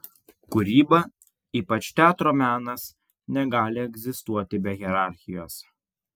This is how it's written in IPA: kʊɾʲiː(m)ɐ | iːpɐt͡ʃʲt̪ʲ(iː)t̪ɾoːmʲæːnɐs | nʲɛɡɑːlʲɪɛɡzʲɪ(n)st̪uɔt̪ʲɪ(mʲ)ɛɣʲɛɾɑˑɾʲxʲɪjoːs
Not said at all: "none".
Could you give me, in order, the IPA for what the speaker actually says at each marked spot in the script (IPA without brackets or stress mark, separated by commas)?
b, æː, none, bʲ